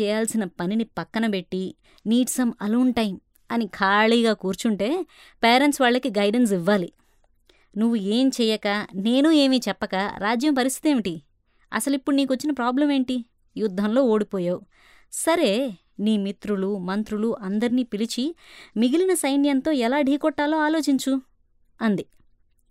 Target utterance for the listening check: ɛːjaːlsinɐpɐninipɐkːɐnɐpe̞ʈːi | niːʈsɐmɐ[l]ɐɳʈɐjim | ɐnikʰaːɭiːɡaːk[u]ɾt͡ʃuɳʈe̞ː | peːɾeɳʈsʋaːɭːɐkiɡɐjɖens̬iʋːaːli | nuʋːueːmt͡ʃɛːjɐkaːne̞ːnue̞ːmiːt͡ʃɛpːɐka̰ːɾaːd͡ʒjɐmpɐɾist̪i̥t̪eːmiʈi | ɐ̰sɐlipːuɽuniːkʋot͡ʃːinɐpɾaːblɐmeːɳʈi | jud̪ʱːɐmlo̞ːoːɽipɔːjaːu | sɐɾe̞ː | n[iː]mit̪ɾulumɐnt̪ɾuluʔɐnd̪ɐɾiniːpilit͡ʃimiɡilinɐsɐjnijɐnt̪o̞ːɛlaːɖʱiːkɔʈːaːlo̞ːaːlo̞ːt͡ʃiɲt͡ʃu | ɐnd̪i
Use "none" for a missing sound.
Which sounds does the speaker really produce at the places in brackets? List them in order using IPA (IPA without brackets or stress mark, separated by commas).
l, uː, iː